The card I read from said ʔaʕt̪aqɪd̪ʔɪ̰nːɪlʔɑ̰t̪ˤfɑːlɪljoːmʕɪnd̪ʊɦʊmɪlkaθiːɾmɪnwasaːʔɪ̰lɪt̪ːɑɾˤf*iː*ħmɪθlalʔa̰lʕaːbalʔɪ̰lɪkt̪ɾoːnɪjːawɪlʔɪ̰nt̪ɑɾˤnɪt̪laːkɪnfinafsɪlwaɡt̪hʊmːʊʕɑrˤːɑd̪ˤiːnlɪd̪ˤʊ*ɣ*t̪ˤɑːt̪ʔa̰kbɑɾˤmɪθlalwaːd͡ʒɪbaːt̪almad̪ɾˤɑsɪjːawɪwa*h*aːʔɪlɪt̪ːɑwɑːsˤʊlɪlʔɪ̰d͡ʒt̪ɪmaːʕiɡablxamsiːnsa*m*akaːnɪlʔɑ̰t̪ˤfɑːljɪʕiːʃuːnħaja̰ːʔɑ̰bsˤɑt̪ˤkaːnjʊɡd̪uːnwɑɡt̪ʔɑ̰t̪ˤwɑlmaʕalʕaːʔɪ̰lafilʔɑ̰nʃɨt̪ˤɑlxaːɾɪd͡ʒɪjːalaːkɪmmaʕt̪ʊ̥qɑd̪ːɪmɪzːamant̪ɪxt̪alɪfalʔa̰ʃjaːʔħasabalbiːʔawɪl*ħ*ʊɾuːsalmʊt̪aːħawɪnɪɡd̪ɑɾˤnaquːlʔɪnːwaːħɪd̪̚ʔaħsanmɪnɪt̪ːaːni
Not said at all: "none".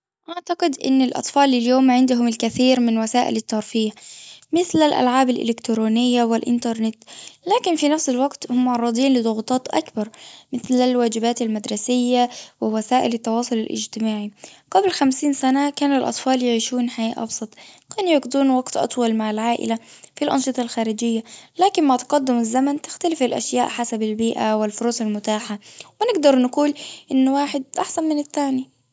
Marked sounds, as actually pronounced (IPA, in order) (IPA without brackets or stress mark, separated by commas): iː, ɣ, s, n, f